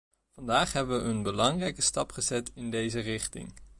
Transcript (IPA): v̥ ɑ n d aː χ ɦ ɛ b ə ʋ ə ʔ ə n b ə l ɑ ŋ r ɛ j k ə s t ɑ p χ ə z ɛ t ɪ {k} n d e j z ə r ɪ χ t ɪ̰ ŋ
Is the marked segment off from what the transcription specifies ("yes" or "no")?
yes